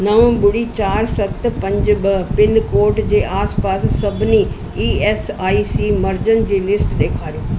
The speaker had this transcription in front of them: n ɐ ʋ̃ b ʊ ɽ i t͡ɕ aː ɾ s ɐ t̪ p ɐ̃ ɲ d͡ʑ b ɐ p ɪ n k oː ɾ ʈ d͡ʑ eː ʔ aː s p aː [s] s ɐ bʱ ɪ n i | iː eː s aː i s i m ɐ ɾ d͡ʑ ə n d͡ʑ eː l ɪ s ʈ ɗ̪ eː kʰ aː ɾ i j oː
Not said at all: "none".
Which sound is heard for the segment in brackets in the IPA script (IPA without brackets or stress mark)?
s